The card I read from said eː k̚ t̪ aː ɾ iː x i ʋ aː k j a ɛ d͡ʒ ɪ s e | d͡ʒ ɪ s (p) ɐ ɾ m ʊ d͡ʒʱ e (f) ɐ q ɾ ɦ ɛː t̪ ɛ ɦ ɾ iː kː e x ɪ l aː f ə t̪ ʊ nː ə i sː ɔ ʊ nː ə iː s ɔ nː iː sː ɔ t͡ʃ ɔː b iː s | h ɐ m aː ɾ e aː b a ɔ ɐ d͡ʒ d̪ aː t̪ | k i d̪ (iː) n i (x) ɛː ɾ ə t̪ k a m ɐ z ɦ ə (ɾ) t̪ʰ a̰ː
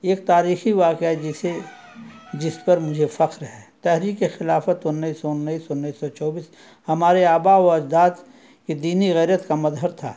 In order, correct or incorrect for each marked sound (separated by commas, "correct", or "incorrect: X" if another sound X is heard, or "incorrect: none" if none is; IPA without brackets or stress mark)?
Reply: correct, correct, correct, incorrect: ɣ, correct